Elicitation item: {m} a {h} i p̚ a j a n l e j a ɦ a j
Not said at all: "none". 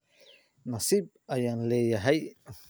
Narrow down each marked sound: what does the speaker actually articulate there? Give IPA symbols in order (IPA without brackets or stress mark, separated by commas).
n, s